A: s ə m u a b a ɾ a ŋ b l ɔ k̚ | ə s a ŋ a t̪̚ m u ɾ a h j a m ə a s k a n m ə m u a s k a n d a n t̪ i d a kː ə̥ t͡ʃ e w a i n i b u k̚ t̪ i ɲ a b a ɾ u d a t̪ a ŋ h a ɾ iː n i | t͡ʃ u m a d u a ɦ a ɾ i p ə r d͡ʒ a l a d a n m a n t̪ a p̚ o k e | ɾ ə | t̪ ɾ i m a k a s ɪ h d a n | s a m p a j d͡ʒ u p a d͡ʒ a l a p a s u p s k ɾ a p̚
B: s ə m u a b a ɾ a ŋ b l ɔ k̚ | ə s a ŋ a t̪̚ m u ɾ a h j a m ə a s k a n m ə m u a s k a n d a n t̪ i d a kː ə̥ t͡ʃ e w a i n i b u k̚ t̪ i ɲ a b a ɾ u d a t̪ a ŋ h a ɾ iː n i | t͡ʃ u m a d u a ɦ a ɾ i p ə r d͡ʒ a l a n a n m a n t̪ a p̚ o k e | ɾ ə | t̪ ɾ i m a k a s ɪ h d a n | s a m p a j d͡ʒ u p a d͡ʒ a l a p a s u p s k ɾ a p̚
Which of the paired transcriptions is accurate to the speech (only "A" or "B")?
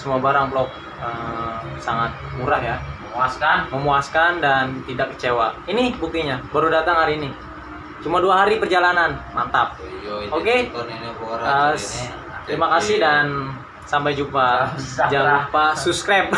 B